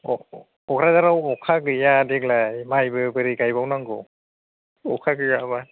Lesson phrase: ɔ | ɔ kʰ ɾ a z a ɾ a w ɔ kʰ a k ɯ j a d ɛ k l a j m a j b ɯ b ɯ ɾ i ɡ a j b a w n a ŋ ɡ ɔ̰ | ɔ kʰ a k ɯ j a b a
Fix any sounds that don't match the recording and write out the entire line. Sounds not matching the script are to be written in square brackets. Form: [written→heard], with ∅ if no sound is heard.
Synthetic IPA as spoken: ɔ | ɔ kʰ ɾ a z a ɾ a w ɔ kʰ a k ɯ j a d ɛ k l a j m a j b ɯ b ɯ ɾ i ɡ a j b a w n a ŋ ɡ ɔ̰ | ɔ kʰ a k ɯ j a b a